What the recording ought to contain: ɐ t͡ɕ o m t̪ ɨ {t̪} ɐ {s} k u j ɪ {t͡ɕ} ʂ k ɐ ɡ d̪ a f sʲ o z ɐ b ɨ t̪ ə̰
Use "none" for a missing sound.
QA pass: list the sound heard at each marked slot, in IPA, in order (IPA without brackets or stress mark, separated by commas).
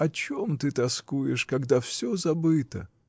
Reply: t̪, s, none